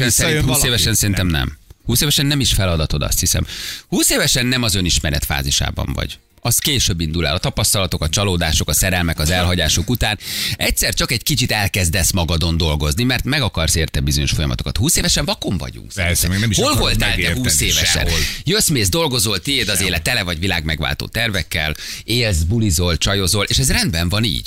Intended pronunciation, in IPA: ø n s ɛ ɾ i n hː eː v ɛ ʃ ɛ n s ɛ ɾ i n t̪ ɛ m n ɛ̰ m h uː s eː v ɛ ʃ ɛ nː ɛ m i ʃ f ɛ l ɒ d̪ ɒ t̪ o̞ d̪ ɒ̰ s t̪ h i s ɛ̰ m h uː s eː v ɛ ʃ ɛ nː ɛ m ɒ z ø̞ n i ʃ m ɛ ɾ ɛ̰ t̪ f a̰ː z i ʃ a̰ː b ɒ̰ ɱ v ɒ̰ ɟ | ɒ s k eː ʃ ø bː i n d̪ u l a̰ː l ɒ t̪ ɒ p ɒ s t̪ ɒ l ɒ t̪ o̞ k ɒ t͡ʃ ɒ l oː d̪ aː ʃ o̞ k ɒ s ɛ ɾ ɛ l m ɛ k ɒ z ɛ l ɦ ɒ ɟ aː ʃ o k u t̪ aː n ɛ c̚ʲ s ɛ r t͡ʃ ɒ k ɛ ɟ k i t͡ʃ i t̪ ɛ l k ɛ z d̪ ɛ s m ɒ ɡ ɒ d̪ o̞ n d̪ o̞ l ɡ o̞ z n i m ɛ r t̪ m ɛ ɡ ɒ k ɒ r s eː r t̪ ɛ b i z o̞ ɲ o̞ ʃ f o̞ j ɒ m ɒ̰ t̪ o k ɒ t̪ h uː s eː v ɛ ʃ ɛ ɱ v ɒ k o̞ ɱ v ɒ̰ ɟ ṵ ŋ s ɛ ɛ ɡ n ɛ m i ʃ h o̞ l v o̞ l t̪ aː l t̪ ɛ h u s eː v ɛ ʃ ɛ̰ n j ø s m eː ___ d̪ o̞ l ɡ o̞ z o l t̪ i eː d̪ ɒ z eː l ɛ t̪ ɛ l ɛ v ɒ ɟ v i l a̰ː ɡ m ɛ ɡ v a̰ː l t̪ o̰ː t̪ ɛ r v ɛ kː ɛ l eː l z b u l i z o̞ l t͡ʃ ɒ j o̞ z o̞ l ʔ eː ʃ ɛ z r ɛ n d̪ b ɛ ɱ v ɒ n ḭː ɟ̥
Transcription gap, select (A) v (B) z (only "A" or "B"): B